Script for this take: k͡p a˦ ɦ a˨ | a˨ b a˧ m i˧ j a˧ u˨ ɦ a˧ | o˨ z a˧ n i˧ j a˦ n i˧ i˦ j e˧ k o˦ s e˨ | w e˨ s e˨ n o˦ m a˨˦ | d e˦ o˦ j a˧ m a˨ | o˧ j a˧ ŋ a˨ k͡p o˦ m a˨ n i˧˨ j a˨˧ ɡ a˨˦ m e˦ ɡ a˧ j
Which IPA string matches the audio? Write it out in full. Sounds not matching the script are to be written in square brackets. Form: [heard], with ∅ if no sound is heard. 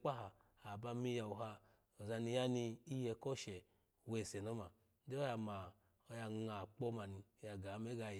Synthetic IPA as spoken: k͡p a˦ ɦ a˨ | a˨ b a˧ m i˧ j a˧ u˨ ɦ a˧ | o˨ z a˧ n i˧ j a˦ n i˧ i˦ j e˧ k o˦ [ʃ] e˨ | w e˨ s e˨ n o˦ m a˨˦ | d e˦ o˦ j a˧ m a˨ | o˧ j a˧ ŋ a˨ k͡p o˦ m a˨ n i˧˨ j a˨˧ ɡ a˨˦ m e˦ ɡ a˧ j

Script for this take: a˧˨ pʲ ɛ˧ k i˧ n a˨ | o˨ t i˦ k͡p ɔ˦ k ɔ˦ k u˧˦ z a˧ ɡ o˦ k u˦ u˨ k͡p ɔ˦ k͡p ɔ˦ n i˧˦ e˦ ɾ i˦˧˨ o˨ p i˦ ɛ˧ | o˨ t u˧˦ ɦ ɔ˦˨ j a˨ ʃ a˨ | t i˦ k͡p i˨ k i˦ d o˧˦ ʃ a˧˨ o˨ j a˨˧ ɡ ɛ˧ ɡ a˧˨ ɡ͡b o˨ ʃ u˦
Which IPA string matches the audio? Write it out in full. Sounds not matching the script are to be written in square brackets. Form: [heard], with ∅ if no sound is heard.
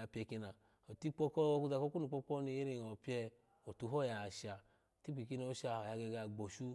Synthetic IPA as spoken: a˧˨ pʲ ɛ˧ k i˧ n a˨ | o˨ t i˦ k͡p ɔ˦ k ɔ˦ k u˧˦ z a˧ [k] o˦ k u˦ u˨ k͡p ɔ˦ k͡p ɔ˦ n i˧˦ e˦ ɾ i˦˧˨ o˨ p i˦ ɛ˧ | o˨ t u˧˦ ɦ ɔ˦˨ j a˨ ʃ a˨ | t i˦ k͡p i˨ k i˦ [n] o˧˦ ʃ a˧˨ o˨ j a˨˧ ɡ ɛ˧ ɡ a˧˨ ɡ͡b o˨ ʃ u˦

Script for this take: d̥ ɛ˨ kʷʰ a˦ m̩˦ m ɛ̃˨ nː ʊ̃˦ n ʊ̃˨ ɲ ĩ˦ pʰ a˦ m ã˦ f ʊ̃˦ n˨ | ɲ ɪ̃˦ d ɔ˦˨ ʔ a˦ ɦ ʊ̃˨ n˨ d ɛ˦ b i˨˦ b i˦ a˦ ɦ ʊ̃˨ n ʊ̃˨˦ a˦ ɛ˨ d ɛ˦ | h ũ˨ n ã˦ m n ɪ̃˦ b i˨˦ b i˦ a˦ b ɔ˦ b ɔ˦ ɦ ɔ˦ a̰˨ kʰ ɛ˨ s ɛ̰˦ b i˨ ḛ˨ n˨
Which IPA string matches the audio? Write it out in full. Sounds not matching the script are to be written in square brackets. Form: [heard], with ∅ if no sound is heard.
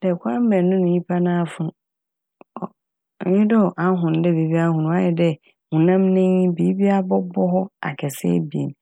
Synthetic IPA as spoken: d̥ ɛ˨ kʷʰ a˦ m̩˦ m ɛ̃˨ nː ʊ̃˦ n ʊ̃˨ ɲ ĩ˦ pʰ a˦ [n] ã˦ f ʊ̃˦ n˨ | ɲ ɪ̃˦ d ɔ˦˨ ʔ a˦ ɦ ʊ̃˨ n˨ d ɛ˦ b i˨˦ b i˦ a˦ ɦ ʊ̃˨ n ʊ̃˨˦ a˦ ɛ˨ d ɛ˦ | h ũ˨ n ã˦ m n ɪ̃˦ b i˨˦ b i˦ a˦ b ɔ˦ b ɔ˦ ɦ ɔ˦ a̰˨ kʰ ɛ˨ s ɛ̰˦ b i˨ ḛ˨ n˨

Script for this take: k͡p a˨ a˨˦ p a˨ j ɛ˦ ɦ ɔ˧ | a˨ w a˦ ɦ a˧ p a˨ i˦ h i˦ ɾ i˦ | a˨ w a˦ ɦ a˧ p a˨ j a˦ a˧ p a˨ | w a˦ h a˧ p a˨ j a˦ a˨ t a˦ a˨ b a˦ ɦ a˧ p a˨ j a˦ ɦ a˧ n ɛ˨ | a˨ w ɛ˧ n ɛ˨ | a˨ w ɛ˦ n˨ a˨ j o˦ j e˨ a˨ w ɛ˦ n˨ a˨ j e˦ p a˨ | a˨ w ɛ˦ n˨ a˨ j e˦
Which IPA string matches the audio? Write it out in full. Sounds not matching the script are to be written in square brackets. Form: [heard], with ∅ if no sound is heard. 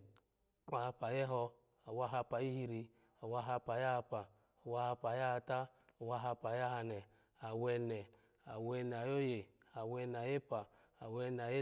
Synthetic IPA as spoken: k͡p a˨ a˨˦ p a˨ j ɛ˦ ɦ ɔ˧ | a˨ w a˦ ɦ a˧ p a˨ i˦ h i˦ ɾ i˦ | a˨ w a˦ ɦ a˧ p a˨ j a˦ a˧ p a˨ | w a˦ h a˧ p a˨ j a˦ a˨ t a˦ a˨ [w] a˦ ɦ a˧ p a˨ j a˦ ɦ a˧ n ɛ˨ | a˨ w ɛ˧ n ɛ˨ | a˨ w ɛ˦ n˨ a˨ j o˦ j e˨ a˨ w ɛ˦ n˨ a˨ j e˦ p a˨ | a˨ w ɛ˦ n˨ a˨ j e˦

